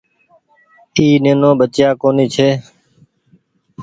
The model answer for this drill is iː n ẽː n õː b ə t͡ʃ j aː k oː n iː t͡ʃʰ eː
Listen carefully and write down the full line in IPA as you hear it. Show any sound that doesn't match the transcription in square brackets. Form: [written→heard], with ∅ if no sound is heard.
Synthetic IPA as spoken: iː n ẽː n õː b ə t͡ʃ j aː k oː n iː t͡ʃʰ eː